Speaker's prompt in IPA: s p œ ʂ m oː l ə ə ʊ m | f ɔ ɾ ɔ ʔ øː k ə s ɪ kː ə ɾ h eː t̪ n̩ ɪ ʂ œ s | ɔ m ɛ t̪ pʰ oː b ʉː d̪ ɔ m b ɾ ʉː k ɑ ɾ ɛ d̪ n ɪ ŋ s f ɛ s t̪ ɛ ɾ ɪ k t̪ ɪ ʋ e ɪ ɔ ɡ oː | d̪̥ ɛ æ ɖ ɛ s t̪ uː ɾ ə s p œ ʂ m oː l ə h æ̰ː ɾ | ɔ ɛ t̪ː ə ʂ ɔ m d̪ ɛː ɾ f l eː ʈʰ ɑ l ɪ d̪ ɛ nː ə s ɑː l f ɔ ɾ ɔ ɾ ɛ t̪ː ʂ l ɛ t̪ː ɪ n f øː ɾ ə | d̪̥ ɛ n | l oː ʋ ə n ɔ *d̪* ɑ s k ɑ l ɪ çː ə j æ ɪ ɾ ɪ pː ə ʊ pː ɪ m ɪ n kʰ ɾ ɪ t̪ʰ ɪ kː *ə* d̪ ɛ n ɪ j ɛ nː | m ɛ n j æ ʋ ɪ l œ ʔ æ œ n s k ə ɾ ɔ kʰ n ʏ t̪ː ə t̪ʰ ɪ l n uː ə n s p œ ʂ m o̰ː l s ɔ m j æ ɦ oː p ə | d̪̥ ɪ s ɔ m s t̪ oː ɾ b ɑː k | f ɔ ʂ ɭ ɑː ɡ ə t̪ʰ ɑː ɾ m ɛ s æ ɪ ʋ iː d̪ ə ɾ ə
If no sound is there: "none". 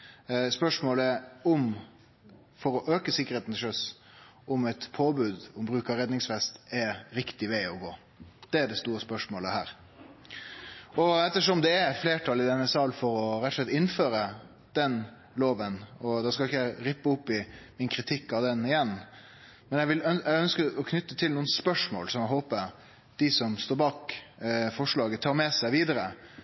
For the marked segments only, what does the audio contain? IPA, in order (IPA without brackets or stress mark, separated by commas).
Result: d̪, ɑ